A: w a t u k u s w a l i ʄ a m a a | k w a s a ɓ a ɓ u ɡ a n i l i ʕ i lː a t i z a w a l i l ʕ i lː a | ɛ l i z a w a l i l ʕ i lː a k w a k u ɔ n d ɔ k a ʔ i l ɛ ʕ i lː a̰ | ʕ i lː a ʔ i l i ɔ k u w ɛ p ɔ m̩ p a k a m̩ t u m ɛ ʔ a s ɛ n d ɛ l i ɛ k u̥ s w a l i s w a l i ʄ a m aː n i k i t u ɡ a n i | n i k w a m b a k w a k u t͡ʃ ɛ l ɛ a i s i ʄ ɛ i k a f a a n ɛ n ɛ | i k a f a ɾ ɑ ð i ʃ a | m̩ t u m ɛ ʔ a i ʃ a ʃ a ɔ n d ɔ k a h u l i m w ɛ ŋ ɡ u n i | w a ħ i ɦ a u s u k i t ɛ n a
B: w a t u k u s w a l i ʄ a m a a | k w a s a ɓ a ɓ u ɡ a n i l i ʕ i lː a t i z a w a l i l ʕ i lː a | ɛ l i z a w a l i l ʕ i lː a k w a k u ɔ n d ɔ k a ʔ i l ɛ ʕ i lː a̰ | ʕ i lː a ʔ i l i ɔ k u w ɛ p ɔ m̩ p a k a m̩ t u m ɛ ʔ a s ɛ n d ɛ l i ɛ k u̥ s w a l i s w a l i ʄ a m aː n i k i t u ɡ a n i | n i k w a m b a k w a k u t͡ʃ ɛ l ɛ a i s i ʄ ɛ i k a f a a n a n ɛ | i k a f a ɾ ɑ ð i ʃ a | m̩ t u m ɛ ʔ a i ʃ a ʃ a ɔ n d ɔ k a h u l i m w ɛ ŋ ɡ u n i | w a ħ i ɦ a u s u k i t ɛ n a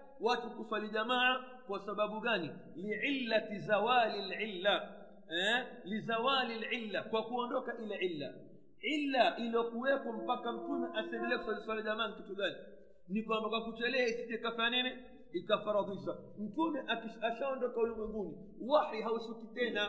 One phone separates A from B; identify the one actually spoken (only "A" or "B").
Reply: A